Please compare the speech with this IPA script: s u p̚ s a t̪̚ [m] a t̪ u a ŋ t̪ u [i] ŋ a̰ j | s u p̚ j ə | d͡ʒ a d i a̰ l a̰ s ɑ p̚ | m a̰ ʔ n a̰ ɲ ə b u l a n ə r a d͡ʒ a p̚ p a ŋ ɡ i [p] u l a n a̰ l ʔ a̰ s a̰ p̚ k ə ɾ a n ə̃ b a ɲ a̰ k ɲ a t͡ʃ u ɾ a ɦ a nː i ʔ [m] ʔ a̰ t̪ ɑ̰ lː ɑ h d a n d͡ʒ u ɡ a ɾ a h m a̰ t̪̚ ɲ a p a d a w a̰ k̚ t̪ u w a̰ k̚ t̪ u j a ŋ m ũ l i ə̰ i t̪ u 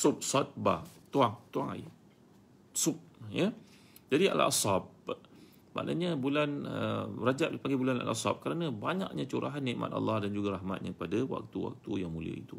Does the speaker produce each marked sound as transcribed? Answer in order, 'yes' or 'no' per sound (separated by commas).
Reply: no, no, no, yes